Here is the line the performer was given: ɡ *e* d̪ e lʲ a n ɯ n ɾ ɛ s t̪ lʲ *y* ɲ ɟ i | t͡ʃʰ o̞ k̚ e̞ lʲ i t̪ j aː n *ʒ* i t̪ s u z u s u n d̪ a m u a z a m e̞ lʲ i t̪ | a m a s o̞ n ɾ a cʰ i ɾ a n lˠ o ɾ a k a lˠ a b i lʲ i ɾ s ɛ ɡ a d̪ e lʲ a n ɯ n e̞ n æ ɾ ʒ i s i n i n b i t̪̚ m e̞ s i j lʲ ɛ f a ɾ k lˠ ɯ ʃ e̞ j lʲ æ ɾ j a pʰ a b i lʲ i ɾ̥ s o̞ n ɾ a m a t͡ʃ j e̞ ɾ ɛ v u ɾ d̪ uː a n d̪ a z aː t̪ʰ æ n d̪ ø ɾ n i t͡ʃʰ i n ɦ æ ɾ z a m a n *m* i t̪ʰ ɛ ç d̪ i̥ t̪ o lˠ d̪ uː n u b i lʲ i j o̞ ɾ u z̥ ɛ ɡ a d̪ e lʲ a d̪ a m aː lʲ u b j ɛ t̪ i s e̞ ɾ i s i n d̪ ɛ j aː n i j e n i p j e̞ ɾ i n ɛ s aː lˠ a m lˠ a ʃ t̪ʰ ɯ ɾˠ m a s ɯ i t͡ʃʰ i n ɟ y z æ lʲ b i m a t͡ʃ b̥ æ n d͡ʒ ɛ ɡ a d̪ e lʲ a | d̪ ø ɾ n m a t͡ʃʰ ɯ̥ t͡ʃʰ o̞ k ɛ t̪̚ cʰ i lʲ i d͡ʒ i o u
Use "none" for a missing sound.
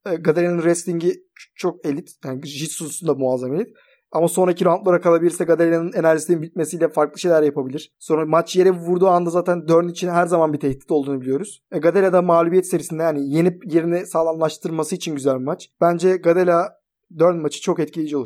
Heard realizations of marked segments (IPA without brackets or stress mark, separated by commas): a, i, ʒ, b